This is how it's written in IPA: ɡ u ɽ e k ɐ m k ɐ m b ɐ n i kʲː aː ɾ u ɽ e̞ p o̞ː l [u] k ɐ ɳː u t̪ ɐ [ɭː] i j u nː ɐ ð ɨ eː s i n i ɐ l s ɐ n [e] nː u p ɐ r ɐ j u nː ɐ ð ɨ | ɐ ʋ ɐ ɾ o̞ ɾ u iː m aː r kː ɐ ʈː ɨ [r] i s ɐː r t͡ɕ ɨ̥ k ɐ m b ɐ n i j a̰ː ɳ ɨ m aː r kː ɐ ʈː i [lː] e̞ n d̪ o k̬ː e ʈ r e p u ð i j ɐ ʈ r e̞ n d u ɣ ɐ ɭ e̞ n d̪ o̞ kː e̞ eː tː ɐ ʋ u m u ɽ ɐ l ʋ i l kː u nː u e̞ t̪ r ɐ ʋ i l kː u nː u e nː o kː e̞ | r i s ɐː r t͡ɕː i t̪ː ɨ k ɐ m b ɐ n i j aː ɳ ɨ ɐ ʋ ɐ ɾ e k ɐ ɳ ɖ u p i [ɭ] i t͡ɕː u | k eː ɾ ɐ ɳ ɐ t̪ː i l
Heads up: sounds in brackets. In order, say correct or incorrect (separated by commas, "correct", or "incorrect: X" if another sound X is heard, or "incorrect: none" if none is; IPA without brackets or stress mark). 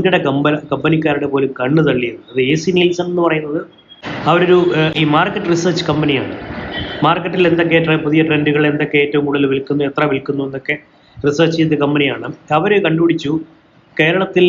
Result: correct, correct, correct, correct, incorrect: l, incorrect: ɽ